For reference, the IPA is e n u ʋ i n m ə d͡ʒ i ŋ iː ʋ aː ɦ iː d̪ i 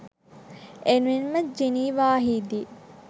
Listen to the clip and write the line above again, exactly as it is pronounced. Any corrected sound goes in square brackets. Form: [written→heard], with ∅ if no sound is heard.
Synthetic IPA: e n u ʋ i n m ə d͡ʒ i [ŋ→n] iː ʋ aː ɦ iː d̪ i